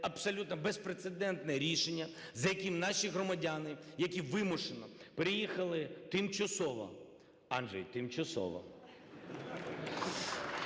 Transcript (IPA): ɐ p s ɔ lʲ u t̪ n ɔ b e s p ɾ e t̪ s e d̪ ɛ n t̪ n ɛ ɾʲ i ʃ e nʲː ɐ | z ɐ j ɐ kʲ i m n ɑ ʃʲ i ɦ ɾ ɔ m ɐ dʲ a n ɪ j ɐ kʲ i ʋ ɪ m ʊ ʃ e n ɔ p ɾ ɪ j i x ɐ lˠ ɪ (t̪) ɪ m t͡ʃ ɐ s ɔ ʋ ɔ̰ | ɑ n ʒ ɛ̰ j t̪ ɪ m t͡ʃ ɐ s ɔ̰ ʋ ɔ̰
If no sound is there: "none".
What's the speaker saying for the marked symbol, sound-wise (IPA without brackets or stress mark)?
t̪